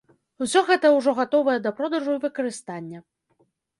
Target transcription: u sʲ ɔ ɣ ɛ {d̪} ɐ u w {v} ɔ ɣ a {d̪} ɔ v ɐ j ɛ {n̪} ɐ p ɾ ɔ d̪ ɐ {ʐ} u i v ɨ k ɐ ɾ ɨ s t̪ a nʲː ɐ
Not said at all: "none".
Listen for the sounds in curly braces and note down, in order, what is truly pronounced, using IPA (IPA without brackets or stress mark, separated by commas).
t̪, ʐ, t̪, d̪, ʐ